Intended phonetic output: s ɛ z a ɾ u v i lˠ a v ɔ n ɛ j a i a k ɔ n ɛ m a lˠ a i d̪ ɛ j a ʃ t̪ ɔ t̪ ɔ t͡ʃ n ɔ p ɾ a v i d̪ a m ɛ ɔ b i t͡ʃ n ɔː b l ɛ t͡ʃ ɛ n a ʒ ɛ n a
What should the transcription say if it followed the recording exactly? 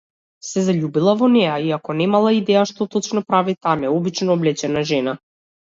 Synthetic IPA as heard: s ɛ z a ʎ u b i lˠ a v ɔ n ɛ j a i a k ɔ n ɛ m a lˠ a i d̪ ɛ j a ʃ t̪ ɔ t̪ ɔ t͡ʃ n ɔ p ɾ a v i t̪ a m ɛ ɔ b i t͡ʃ n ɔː b l ɛ t͡ʃ ɛ n a ʒ ɛ n a